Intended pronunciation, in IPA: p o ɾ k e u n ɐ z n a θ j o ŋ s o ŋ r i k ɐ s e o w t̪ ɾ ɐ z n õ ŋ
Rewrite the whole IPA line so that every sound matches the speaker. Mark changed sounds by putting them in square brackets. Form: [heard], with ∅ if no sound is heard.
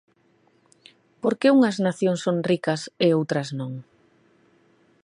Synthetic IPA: p o ɾ k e u [ŋ] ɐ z n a θ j o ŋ s o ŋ r i k ɐ s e o w t̪ ɾ ɐ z n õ ŋ